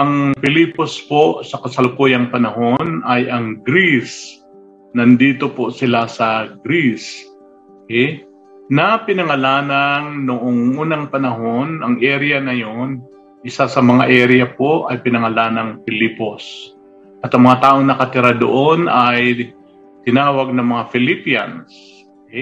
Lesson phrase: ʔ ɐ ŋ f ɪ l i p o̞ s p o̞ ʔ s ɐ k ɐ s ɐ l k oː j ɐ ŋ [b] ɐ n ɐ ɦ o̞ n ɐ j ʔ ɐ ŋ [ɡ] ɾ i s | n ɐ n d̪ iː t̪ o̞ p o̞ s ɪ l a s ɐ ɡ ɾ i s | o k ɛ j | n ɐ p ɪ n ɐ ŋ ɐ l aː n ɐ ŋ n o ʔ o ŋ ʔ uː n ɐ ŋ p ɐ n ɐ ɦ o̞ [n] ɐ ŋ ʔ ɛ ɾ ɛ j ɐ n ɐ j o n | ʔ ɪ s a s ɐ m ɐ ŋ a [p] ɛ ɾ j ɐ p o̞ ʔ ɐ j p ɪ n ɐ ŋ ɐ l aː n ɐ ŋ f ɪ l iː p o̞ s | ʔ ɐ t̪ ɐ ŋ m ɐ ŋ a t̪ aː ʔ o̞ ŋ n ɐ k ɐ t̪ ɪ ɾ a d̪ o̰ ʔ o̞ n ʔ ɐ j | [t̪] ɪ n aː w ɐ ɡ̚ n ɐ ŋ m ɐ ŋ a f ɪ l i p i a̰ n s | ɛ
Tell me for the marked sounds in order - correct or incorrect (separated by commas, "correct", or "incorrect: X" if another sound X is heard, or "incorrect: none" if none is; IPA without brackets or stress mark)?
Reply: incorrect: p, correct, correct, incorrect: ʔ, correct